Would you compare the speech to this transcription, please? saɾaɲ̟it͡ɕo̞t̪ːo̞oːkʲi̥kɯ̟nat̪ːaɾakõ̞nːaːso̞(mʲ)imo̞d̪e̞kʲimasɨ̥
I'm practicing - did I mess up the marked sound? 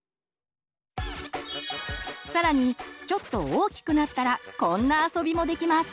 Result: yes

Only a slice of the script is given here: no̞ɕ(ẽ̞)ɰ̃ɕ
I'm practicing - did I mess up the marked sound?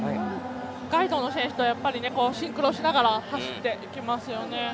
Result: no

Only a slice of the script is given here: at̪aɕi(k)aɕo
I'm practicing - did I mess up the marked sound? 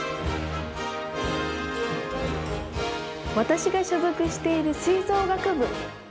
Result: yes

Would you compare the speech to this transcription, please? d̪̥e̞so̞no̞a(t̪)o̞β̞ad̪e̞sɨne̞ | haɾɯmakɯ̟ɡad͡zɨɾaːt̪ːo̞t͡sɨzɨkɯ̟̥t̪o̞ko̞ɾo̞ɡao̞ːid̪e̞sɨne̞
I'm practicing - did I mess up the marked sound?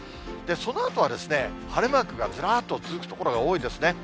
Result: no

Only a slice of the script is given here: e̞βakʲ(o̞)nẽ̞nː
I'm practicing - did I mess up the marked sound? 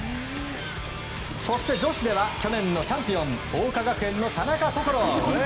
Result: no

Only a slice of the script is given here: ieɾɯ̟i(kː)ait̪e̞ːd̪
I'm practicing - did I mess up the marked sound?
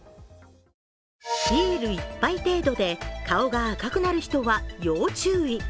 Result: yes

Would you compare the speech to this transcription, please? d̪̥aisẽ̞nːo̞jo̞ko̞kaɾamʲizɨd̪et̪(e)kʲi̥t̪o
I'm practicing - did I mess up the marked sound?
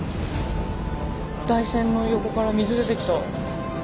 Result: no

